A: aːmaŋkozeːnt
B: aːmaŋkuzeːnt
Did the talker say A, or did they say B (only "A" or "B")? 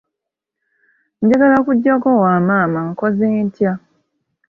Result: A